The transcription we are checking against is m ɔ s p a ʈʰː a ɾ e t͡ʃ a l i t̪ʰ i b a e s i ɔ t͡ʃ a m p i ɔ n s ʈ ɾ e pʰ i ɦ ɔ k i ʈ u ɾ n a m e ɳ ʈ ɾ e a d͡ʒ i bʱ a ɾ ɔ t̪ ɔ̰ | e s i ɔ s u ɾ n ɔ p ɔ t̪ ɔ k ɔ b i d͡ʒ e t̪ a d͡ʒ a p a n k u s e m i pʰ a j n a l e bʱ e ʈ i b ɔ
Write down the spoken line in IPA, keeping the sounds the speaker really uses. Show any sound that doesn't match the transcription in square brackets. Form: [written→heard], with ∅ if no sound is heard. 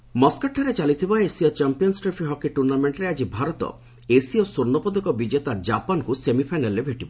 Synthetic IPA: m ɔ s [p→k] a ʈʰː a ɾ e t͡ʃ a l i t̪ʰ i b a e s i ɔ t͡ʃ a m p i ɔ n s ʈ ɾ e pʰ i ɦ ɔ k i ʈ u ɾ n a m e ɳ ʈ ɾ e a d͡ʒ i bʱ a ɾ ɔ t̪ ɔ̰ | e s i ɔ s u ɾ n ɔ p ɔ [t̪→d̪] ɔ k ɔ b i d͡ʒ e t̪ a d͡ʒ a p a n k u s e m i pʰ a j n a l e bʱ e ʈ i b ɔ